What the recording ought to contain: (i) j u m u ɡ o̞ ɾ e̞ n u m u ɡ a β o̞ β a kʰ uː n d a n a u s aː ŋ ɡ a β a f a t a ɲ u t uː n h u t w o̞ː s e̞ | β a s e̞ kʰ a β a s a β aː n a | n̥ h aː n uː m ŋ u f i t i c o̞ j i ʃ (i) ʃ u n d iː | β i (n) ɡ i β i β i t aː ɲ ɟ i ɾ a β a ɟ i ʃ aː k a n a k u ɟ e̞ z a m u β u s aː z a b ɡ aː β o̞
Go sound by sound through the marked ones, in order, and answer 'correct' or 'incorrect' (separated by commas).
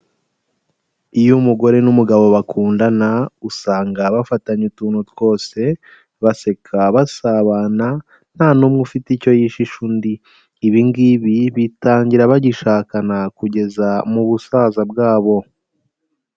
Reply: correct, correct, incorrect